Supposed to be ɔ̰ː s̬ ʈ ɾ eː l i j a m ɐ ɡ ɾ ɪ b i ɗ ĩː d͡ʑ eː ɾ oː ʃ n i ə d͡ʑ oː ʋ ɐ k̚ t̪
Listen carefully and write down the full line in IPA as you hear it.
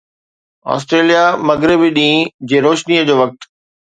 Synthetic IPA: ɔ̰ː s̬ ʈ ɾ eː l i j a m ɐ ɡ ɾ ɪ b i ɗ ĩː d͡ʑ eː ɾ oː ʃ n i ə d͡ʑ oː ʋ ɐ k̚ t̪